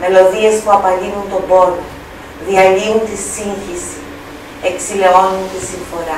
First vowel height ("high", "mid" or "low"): mid